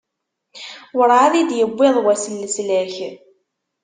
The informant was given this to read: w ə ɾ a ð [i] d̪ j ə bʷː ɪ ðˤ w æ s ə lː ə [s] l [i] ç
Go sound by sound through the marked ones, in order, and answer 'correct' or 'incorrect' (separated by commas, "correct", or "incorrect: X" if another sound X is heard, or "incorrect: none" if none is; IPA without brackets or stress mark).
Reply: correct, correct, incorrect: æ